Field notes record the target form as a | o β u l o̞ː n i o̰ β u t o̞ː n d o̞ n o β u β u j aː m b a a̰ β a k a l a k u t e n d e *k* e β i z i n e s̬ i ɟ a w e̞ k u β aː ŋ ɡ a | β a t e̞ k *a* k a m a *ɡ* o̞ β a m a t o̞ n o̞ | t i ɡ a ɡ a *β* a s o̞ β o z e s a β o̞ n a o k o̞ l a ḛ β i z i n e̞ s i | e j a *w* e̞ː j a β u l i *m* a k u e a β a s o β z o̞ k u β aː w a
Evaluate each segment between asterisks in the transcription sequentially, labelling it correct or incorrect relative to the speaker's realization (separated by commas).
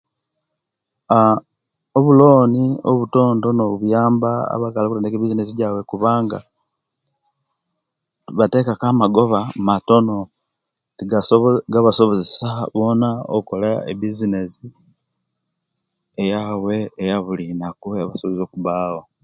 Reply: correct, correct, correct, correct, correct, incorrect